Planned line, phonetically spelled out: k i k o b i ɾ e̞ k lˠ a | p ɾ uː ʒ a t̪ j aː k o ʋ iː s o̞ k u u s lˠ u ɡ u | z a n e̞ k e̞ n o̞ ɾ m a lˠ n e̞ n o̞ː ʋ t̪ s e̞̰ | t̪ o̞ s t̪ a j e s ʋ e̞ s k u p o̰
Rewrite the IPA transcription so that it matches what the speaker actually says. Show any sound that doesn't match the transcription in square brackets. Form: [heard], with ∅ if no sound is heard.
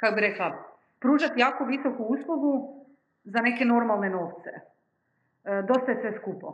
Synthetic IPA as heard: k [a] k o b i ɾ e̞ k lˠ a | p ɾ uː ʒ a t̪ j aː k o ʋ [i] s o̞ k u u s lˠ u ɡ u | z a n e̞ k e̞ n o̞ ɾ m a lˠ n e̞ n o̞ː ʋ t̪ s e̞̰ | [d̪] o̞ s t̪ a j e s ʋ e̞ s k u p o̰